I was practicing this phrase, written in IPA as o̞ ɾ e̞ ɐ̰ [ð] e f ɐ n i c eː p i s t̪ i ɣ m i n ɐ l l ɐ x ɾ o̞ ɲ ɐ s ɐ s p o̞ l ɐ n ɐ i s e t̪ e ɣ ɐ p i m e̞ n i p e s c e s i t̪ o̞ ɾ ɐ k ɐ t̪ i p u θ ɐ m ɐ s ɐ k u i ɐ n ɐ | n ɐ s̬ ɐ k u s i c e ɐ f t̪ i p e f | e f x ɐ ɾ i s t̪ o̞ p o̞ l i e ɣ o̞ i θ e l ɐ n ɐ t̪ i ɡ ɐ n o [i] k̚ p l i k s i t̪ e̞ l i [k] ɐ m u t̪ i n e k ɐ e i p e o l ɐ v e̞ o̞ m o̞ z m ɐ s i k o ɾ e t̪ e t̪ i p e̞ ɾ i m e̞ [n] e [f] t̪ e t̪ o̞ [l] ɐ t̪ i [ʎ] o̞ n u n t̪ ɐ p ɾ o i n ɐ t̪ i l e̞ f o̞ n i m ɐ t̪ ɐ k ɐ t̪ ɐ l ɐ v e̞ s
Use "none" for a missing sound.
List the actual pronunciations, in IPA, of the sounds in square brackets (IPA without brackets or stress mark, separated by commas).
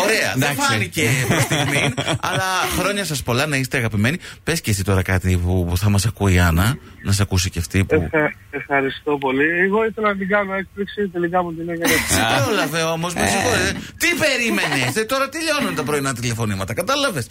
ð, e, k, n, s, ɾ, ʎ